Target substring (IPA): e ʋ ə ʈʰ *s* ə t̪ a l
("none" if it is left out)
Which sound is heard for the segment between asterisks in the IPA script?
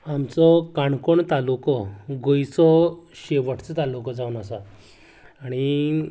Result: t͡s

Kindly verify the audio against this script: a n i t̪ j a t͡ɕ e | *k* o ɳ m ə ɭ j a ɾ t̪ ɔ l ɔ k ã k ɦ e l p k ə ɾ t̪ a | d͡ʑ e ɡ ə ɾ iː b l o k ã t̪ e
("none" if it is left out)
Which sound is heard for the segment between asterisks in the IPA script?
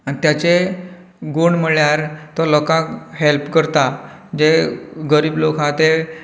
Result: ɡ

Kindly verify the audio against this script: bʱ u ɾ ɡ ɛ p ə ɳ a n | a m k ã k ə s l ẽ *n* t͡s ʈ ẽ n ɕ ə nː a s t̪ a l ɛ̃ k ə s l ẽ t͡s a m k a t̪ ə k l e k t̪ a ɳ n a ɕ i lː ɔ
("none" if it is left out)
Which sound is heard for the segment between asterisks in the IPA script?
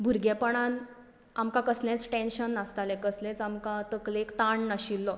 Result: none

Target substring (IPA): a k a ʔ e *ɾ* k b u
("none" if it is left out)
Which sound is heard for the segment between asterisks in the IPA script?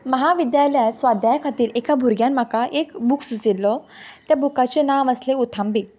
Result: none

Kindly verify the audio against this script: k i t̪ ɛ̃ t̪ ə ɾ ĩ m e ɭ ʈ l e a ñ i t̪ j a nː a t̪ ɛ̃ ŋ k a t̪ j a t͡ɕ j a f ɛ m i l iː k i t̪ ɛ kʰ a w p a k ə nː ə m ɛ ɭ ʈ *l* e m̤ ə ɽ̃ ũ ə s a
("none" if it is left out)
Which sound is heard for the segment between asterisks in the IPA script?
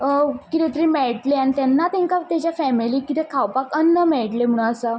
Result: l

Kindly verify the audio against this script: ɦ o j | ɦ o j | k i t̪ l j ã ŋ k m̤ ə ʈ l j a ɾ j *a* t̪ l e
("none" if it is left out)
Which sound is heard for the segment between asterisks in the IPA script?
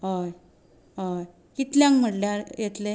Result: e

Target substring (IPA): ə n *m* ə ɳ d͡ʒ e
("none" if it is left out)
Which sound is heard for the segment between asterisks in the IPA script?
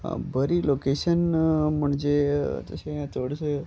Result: m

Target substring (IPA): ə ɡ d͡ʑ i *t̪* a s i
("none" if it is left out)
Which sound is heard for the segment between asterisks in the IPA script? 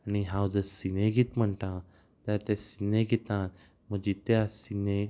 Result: t̪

